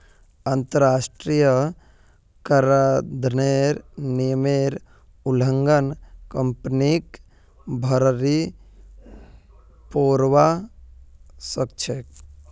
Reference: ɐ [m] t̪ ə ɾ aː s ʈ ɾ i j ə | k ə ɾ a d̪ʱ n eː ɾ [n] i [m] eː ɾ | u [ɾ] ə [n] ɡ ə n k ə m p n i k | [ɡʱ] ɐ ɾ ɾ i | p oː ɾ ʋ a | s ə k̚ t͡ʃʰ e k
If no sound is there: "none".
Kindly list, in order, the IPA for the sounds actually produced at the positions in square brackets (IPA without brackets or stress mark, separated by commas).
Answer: n, n, m, l, ŋ, bʱ